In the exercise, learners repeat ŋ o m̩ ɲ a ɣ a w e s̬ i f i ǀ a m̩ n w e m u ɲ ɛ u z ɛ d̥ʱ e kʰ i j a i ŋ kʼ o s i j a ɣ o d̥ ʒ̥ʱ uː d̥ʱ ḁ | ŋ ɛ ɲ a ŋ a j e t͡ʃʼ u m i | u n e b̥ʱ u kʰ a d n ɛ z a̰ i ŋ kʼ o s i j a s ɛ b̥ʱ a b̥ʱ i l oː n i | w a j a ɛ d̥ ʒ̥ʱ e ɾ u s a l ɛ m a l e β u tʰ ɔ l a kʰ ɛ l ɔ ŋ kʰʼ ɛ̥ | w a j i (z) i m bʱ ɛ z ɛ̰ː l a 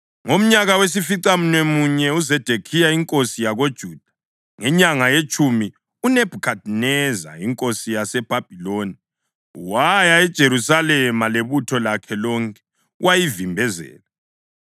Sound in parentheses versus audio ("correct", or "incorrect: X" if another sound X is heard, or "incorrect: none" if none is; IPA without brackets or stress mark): incorrect: v